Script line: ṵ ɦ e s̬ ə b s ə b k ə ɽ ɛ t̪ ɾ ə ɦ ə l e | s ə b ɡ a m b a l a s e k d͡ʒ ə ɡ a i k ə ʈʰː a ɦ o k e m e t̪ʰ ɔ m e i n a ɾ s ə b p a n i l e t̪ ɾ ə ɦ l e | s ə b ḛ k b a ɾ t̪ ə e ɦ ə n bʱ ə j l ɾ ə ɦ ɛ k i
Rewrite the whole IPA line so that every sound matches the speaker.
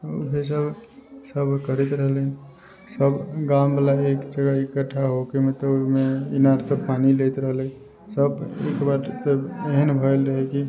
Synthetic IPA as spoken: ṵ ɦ e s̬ ə b s ə b k ə ɾ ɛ t̪ ɾ ə ɦ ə l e | s ə b ɡ a m b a l a e k d͡ʒ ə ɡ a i k ə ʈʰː a ɦ o k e m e t̪ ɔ m e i n a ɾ s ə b p a n i l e t̪ ɾ ə ɦ l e | s ə b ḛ k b a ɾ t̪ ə e ɦ ə n bʱ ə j l ɾ ə ɦ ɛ k i